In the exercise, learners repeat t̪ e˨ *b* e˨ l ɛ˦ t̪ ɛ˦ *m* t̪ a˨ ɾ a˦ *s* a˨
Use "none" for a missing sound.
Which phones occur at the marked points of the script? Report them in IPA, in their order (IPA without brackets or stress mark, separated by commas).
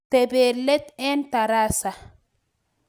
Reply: b, n, s